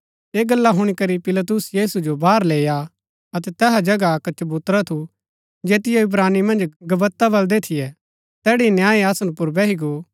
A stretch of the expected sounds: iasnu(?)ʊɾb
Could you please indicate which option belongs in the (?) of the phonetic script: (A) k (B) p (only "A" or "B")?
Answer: B